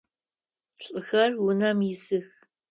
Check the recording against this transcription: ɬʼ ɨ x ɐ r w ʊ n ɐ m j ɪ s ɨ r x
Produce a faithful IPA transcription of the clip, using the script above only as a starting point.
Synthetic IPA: ɬʼ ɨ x ɐ r w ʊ n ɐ m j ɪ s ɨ x